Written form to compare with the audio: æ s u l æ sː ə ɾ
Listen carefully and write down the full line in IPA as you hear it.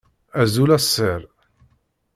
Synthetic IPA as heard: æ z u l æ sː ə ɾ